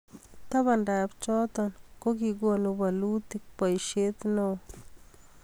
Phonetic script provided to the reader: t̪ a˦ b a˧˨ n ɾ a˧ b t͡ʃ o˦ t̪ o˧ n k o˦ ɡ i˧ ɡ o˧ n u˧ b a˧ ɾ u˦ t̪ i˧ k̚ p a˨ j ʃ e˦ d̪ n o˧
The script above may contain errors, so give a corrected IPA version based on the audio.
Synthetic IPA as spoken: t̪ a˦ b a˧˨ n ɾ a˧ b t͡ʃ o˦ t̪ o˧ n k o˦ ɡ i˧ ɡ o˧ n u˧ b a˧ l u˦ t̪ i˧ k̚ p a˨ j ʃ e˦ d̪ n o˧